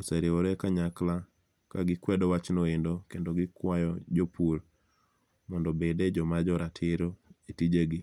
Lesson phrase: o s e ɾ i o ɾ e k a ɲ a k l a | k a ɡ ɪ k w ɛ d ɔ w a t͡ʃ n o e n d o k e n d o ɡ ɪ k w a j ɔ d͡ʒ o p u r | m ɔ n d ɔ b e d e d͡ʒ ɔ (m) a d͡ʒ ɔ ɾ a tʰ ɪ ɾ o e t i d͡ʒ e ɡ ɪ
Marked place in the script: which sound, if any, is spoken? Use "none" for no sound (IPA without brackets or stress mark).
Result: m